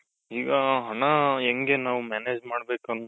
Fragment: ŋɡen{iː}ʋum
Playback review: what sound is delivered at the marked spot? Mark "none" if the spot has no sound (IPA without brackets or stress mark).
aː